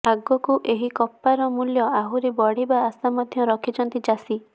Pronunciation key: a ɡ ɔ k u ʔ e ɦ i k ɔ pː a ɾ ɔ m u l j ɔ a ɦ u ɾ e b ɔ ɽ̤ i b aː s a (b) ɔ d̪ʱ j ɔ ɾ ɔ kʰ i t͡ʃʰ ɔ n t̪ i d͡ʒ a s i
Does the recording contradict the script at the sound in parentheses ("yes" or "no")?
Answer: yes